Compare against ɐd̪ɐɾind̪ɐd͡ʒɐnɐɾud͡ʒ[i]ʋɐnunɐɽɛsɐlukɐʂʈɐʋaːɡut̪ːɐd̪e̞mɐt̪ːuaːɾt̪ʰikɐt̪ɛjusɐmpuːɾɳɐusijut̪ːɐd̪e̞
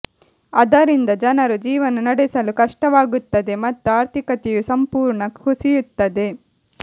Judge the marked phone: incorrect: iː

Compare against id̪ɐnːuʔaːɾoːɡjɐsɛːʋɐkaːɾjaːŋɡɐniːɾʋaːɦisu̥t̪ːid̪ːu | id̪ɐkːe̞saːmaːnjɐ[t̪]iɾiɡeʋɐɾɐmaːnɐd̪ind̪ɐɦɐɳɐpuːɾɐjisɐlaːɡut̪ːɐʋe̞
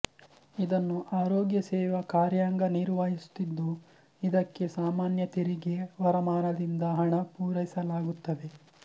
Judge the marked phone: correct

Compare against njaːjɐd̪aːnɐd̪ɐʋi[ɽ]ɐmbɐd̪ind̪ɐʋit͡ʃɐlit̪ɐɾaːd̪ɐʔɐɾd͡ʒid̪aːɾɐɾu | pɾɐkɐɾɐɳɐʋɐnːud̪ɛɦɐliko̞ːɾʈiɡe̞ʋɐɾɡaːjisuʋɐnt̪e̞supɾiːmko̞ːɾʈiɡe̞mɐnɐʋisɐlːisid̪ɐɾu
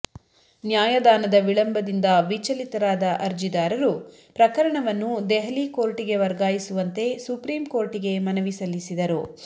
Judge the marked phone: incorrect: ɭ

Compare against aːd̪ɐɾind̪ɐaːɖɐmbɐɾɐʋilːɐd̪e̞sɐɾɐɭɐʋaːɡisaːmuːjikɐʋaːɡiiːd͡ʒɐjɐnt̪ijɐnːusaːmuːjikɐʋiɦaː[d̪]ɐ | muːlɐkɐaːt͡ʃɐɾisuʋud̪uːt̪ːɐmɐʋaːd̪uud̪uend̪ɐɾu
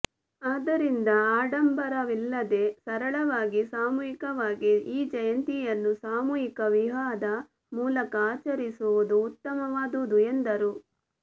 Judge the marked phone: correct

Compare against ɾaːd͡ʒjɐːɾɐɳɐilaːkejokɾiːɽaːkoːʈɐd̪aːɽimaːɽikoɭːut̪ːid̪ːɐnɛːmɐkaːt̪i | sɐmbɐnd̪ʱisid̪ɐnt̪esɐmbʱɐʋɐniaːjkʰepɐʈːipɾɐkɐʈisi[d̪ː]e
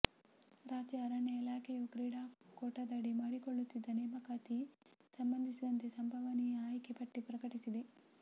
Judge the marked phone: incorrect: d̪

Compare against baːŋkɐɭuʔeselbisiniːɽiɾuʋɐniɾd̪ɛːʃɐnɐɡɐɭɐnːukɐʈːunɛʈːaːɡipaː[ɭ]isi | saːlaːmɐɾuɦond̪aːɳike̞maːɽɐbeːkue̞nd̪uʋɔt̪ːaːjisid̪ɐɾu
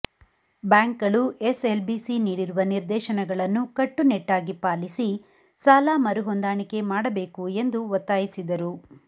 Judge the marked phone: incorrect: l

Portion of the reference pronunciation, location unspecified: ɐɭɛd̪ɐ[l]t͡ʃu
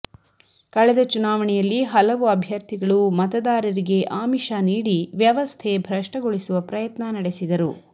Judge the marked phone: incorrect: none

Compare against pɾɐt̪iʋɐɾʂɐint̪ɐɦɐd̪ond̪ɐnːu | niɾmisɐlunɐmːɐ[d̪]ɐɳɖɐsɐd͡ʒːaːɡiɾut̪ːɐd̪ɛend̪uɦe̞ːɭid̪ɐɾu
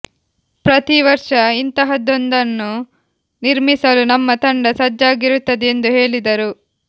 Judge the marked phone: incorrect: t̪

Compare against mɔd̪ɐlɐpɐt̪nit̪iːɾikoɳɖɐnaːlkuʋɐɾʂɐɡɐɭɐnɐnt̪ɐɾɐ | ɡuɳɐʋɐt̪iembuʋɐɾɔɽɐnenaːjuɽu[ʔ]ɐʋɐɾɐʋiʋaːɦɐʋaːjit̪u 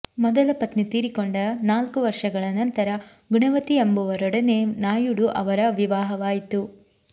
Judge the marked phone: correct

